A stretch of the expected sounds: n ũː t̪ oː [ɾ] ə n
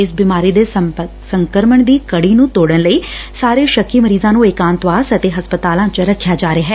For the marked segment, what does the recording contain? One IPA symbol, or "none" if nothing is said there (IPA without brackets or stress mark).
ɽ